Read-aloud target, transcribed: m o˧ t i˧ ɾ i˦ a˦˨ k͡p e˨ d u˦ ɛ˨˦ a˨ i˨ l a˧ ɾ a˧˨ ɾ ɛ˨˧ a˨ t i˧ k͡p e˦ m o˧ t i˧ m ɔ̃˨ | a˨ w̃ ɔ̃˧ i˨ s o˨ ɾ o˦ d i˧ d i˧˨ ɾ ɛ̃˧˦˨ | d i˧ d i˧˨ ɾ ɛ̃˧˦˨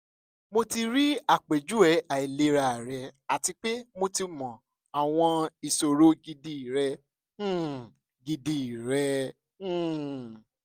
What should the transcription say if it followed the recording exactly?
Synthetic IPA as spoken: m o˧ t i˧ ɾ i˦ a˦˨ k͡p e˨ d͡ʒ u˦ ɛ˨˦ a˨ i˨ l e˧ ɾ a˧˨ ɾ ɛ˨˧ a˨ t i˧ k͡p e˦ m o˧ t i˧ m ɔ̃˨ | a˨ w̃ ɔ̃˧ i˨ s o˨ ɾ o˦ ɡ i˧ d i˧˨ ɾ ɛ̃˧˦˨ | ɡ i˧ d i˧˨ ɾ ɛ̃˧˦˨

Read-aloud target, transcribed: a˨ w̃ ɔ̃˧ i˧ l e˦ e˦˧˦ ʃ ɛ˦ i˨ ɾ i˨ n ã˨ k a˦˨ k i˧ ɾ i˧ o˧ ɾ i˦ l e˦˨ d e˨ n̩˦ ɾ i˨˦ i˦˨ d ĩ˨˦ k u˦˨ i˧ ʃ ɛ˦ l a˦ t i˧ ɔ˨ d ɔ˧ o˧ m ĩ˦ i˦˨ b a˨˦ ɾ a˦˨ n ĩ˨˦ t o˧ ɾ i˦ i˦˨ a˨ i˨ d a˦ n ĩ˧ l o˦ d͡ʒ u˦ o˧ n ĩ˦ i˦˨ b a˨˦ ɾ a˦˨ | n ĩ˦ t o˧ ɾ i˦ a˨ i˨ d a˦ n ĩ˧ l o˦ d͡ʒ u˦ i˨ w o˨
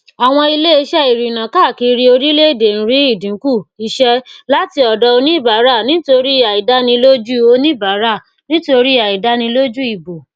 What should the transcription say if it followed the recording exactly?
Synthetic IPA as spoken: a˨ w̃ ɔ̃˧ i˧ l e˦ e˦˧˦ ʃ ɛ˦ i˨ ɾ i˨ n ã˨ k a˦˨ k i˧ ɾ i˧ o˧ ɾ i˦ l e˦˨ d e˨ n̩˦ ɾ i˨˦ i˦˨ d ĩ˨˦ k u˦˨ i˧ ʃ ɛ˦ l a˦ t i˧ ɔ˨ d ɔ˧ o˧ n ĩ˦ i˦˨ b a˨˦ ɾ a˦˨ n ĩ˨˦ t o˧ ɾ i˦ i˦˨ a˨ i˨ d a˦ n ĩ˧ l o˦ d͡ʒ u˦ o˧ n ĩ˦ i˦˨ b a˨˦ ɾ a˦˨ | n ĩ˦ t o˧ ɾ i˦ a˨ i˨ d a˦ n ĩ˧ l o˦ d͡ʒ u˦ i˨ b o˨

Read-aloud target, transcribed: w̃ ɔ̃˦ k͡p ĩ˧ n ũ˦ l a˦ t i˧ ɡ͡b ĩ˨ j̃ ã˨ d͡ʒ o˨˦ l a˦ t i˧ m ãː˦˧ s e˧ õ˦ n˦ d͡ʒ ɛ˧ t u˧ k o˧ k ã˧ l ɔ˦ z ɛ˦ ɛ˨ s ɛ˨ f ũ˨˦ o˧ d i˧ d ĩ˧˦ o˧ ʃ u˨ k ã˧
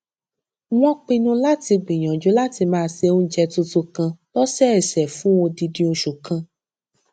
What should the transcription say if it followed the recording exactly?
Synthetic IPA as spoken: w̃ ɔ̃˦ k͡p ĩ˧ n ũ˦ l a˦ t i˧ ɡ͡b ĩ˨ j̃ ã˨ d͡ʒ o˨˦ l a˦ t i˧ m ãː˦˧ s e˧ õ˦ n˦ d͡ʒ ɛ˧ t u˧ t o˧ k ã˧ l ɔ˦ s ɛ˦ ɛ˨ s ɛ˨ f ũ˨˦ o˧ d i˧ d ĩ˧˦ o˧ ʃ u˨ k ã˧

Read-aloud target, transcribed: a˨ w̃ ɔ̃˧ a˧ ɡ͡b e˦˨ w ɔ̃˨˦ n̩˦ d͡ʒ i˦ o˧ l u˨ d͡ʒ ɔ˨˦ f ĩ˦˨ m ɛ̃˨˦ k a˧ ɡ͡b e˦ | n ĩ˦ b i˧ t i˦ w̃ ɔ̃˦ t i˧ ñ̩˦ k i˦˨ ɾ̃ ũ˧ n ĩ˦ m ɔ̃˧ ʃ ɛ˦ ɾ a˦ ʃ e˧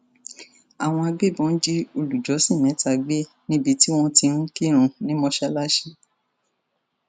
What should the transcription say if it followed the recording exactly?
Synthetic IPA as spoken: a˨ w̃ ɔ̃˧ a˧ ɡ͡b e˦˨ b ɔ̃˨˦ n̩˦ d͡ʒ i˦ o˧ l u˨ d͡ʒ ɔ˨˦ s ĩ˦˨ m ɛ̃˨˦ t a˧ ɡ͡b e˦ | n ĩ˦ b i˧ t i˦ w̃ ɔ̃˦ t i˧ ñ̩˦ k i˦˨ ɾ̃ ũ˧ n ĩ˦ m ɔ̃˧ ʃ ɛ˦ l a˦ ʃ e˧

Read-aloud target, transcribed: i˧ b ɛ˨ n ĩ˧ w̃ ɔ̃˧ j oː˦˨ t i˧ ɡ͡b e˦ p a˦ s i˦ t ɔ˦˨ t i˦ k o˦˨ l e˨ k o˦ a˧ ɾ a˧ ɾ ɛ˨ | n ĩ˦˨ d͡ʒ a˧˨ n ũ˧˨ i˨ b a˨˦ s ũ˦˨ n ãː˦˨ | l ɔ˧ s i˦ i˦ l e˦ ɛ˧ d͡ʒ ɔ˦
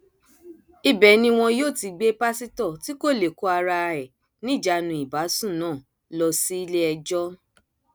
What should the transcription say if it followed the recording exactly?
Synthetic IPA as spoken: i˧ b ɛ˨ n ĩ˧ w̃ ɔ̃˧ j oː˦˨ t i˧ ɡ͡b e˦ p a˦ s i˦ t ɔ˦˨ t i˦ k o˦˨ l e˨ k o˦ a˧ ɾ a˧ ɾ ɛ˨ | n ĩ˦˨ d͡ʒ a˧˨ n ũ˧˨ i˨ b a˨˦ s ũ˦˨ n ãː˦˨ | l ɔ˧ s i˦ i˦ l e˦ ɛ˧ d͡ʒ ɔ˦

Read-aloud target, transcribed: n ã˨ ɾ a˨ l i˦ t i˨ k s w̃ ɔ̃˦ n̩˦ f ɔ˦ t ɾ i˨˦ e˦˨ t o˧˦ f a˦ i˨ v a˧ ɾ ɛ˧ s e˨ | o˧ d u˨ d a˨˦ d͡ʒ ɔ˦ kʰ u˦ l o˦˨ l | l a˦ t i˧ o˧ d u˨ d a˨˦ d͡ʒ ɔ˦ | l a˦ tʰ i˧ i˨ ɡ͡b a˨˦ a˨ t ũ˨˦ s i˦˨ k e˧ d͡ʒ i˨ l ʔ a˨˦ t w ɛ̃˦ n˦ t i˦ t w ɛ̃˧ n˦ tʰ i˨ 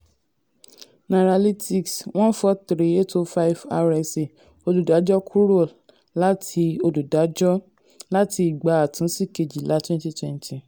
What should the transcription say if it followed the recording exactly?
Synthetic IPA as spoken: n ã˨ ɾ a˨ l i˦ t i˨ k s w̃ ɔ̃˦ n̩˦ f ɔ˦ t ɾ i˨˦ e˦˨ t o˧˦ f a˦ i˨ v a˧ ɾ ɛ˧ s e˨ | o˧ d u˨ d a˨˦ d͡ʒ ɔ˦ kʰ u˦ ɾ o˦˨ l | l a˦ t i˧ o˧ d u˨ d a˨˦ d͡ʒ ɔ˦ | l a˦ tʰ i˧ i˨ ɡ͡b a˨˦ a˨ t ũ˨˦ s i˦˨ k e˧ d͡ʒ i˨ l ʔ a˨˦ t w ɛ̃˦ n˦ t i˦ t w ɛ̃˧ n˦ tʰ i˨

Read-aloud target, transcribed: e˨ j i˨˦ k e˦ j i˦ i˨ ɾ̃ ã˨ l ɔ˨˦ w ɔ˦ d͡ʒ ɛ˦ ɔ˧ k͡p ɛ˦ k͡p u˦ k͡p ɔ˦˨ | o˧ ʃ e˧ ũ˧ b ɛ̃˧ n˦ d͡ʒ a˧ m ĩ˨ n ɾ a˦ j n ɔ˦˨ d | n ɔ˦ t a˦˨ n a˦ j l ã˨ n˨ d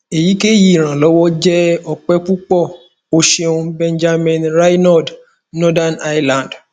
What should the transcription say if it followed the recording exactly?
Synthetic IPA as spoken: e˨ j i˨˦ k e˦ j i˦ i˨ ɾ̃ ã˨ l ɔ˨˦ w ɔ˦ d͡ʒ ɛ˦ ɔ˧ k͡p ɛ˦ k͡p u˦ k͡p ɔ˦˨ | o˧ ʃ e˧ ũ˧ b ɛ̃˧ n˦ d͡ʒ a˧ m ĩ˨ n ɾ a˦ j n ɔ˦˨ d | n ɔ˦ d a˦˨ n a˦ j l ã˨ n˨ d

